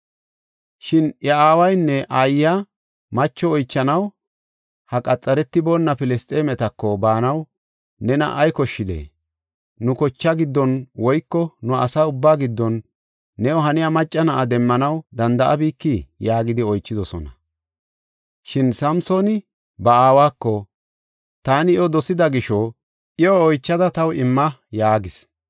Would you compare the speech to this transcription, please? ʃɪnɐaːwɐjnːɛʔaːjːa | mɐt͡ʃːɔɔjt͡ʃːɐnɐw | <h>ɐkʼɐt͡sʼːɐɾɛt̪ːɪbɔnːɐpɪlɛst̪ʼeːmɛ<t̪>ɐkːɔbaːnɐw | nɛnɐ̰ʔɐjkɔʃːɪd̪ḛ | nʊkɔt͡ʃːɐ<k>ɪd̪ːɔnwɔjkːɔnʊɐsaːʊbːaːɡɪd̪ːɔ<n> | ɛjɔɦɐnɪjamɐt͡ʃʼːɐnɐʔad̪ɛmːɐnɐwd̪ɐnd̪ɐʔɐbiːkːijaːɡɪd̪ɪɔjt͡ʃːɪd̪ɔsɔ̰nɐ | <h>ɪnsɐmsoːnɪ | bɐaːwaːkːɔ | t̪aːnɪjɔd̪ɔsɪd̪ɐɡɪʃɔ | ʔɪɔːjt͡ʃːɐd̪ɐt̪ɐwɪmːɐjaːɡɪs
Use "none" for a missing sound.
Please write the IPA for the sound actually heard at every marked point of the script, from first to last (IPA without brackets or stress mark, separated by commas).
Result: h, t̪, ɡ, nː, ʃ